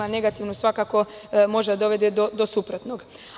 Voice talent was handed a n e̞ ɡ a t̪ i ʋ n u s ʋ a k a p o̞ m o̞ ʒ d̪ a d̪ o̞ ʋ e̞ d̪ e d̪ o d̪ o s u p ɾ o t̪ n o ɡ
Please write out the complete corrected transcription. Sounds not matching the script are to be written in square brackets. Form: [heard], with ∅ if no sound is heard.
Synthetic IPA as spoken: a n e̞ ɡ a t̪ i ʋ n u s ʋ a k a [k] o̞ m o̞ ʒ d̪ a d̪ o̞ ʋ e̞ d̪ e d̪ o d̪ o s u p ɾ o t̪ n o ɡ